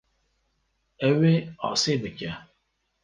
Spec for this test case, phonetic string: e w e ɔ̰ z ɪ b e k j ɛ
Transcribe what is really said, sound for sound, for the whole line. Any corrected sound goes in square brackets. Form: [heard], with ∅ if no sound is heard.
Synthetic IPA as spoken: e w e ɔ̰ [s] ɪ b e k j [a]